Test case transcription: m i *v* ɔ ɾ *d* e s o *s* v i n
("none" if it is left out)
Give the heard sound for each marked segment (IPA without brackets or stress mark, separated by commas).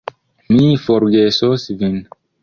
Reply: f, ɡ, s